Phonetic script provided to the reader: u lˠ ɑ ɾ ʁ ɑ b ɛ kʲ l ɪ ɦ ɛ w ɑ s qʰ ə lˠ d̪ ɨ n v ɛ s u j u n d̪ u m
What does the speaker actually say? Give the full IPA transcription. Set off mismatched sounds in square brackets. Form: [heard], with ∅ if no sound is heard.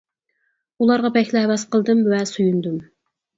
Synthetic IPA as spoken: u lˠ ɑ ɾ ʁ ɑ b ɛ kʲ l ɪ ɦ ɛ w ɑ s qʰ ə lˠ d̪ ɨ [m] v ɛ s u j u n d̪ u m